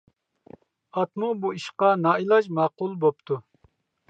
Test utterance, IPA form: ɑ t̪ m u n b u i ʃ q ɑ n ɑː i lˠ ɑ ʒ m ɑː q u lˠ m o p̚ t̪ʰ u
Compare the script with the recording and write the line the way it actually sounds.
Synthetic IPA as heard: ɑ t̪ m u b u i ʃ q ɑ n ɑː i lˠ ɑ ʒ m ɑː q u lˠ b o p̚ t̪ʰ u

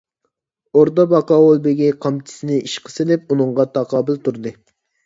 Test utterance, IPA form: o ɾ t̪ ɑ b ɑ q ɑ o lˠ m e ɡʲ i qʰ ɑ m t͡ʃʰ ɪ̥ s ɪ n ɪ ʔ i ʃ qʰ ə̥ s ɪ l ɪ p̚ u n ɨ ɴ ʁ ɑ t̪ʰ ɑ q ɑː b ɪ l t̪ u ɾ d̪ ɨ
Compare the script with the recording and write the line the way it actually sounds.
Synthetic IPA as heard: o ɾ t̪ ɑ b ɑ q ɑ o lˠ b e ɡʲ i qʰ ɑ m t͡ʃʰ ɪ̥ s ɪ n ɪ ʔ i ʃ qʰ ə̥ s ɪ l ɪ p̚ u n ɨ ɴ ʁ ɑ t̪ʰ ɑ q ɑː b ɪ l t̪ u ɾ d̪ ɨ

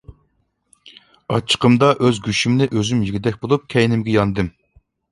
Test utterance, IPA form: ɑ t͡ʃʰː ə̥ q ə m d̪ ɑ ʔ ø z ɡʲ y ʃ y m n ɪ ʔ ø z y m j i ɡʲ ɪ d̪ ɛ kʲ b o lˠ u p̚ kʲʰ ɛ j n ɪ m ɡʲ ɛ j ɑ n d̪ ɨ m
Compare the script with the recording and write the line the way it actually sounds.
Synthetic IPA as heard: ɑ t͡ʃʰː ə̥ q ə m d̪ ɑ ʔ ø z ɡʲ y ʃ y m n ɪ ʔ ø z y m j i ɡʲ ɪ d̪ ɛ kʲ b o lˠ u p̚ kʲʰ ɛ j n ɪ m ɡʲ ɛ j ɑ n d̪ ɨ m

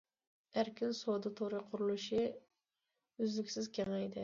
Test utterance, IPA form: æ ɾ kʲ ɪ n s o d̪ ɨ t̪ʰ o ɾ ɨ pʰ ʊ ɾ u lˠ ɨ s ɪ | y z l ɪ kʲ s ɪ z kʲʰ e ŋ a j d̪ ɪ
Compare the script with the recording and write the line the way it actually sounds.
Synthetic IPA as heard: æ ɾ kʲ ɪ n s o d̪ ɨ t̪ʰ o ɾ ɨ qʰ ʊ ɾ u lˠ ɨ ʃ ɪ | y z l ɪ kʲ s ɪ z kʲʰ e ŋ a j d̪ ɪ

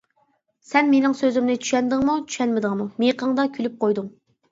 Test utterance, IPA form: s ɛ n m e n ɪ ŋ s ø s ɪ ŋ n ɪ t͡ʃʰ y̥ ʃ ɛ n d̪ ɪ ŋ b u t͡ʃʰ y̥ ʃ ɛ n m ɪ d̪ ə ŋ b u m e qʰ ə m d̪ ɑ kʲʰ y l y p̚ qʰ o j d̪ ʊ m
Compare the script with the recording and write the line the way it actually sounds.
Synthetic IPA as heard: s ɛ n m e n ɪ ŋ s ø z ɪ m n ɪ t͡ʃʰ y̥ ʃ ɛ n d̪ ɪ ŋ m u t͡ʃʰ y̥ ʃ ɛ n m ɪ d̪ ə ŋ m u m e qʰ ə ŋ d̪ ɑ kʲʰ y l y p̚ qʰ o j d̪ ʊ ŋ

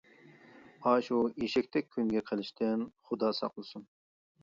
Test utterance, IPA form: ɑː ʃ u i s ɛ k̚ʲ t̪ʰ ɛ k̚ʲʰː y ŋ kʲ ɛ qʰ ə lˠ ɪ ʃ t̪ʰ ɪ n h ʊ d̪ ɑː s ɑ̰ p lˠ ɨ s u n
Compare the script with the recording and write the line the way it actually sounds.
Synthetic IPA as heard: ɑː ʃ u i ʃ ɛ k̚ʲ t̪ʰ ɛ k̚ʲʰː y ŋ ɡʲ ɛ qʰ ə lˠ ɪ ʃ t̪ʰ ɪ n χ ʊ d̪ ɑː s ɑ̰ q lˠ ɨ s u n

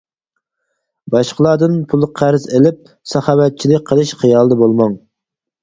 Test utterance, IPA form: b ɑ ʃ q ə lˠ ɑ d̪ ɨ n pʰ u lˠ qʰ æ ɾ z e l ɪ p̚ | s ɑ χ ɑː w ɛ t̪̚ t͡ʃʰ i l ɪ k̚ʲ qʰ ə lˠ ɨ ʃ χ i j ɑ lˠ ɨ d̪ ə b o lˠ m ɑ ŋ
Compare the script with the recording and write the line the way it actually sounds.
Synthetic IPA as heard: b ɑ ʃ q ə lˠ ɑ d̪ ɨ n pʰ u lˠ qʰ æ ɾ z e l ɪ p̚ | s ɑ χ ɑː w ɛ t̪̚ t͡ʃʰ i l ɪ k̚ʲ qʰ ə lˠ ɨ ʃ χ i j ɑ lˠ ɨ d̪ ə b o lˠ m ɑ ŋ

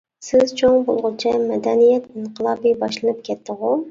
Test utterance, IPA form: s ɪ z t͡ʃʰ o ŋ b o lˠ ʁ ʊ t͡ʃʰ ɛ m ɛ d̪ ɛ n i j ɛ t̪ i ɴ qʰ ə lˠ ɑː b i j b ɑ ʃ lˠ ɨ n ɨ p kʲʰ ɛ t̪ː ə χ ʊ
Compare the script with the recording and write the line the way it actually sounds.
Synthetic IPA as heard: s ɪ z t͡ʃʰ o ŋ b o lˠ ʁ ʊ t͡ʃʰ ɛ m ɛ d̪ ɛ n i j ɛ t̪ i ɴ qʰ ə lˠ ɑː b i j b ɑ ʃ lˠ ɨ n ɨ p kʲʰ ɛ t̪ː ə ʁ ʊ

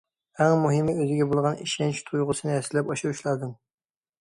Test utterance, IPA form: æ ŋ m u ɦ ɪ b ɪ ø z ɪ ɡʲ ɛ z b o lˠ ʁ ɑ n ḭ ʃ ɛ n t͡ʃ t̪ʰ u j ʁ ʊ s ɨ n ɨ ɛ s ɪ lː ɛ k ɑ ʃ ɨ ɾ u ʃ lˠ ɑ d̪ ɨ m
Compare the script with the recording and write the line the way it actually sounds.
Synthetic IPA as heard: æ ŋ m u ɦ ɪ m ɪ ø z ɪ ɡʲ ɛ b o lˠ ʁ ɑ n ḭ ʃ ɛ n t͡ʃ t̪ʰ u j ʁ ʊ s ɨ n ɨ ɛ s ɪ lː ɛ p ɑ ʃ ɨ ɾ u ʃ lˠ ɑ d̪ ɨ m

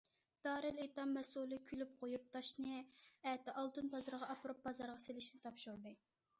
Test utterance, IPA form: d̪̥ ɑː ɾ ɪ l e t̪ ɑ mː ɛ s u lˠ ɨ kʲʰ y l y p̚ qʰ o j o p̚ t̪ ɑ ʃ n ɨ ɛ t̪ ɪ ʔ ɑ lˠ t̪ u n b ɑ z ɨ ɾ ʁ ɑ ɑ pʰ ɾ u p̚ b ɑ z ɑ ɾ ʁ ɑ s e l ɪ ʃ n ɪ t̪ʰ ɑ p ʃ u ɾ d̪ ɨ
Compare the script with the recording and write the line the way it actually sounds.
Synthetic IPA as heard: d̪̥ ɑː ɾ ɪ l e t̪ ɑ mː ɛ s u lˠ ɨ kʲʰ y l y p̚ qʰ o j u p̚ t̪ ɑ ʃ n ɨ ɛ t̪ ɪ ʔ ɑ lˠ t̪ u n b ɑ z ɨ ɾ ʁ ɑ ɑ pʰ ɾ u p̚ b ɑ z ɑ ɾ ʁ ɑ s e l ɪ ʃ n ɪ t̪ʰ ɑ p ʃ u ɾ d̪ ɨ

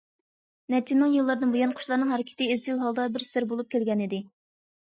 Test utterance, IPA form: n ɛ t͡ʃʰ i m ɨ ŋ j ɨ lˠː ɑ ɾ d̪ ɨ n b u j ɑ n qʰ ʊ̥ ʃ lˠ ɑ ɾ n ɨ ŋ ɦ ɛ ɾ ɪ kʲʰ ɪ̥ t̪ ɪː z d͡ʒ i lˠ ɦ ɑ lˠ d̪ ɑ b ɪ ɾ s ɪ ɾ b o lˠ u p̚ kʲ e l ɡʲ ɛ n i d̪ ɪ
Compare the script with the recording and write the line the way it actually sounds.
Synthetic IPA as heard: n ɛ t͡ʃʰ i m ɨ ŋ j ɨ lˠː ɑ ɾ d̪ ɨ n b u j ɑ n qʰ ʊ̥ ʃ lˠ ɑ ɾ n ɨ ŋ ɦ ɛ ɾ ɪ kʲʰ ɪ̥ t̪ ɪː z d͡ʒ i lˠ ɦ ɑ lˠ d̪ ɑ b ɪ ɾ s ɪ ɾ b o lˠ u p̚ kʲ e l ɡʲ ɛ n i d̪ ɪ

